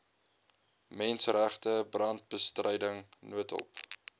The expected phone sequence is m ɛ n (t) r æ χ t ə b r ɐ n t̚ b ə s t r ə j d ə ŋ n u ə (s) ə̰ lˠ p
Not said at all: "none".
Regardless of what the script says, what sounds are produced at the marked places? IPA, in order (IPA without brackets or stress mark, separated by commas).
s, t